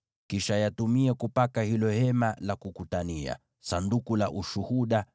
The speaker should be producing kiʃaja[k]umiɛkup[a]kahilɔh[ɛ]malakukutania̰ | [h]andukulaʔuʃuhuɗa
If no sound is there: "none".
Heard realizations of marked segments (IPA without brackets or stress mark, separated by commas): t, a, ɛ, s